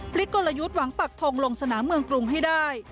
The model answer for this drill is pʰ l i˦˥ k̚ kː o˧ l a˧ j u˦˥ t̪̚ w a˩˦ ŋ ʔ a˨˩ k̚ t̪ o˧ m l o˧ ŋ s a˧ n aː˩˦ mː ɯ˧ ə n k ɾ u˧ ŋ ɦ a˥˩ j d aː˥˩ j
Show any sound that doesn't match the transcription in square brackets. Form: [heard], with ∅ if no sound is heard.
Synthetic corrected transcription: pʰ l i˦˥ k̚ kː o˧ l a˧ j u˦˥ t̪̚ w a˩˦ ŋ [p] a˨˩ k̚ [t̪ʰ] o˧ [ŋ] l o˧ ŋ s a˧ n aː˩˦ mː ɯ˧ ə [ŋ] k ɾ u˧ ŋ ɦ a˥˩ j d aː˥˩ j